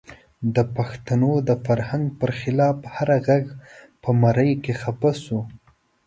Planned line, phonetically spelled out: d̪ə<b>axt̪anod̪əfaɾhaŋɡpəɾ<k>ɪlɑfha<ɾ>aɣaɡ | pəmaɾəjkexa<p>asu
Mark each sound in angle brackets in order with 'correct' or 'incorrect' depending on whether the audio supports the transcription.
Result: incorrect: p, incorrect: x, correct, correct

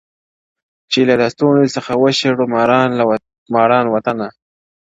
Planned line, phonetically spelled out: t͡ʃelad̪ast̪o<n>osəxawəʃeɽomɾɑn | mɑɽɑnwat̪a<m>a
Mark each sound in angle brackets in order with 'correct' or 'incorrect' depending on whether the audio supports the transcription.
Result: correct, incorrect: n

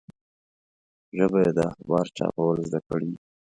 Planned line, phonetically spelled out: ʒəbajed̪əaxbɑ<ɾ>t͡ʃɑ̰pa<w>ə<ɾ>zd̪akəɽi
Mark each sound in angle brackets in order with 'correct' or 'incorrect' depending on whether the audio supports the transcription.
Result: correct, correct, incorrect: l

